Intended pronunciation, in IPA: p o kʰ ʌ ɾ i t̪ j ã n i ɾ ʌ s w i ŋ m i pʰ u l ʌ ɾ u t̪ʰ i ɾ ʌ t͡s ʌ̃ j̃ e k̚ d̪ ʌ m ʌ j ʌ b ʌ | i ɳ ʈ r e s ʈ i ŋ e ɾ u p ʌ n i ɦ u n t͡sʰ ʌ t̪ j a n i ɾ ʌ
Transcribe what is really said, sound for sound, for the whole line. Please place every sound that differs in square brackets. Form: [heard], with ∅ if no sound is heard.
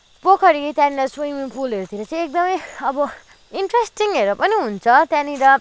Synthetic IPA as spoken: p o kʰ ʌ ɾ i t̪ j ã n i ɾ ʌ s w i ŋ m i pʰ u l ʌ ɾ u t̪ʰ i ɾ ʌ t͡s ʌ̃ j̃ e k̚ d̪ ʌ m ʌ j ʌ b ʌ | i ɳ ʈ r e s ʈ i ŋ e ɾ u p ʌ n i ɦ u n t͡sʰ ʌ t̪ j a n i ɾ ʌ